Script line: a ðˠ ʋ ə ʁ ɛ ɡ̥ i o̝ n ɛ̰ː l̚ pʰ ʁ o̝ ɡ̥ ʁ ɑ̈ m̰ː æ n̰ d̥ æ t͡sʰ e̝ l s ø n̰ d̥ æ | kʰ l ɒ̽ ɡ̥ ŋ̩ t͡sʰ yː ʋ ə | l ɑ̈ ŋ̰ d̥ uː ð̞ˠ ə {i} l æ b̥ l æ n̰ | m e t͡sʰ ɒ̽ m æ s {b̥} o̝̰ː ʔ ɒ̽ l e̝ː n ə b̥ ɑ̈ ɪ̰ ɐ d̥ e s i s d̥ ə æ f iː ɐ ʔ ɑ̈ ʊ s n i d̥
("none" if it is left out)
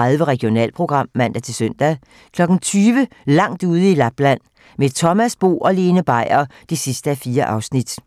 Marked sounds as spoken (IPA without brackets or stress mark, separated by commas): i, b̥